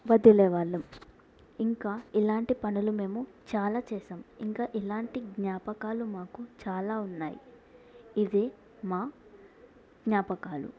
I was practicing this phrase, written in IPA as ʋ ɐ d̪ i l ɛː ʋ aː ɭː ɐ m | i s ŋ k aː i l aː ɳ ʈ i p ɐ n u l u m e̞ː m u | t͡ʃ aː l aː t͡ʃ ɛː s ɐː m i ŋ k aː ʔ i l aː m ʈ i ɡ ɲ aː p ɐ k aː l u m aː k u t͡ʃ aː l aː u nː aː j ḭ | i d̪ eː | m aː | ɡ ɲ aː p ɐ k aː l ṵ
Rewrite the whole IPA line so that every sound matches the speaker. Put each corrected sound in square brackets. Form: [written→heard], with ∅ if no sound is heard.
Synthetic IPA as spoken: ʋ ɐ d̪ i l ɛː ʋ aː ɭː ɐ m | i [s→∅] ŋ k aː i l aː ɳ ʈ i p ɐ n u l u m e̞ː m u | t͡ʃ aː l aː t͡ʃ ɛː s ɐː m i ŋ k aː ʔ i l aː [m→ɳ] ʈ i ɡ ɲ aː p ɐ k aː l u m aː k u t͡ʃ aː l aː u nː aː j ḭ | i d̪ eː | m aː | ɡ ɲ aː p ɐ k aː l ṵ